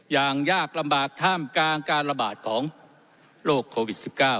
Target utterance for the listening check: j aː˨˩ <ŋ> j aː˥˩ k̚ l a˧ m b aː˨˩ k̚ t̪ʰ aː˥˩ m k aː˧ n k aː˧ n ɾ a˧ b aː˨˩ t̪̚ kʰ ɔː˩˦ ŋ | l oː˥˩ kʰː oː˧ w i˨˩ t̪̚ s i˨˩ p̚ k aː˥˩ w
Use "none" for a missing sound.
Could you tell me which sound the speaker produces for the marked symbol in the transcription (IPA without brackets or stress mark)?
ŋ